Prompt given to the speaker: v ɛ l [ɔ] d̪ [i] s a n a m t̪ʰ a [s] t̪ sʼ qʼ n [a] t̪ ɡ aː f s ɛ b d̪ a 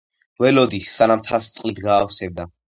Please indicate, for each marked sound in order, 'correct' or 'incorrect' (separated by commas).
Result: correct, correct, correct, incorrect